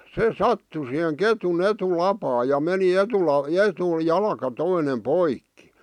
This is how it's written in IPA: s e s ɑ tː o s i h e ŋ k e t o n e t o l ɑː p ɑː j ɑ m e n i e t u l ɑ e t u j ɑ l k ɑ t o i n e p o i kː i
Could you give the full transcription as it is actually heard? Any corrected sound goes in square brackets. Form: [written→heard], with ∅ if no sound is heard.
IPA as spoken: s e s ɑ tː [o→u] s i h e ŋ k e t [o→u] n e t [o→u] l [ɑː→ɑ] p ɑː j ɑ m e n i e t u l ɑ e t u j ɑ l k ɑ t o i n e p o i kː i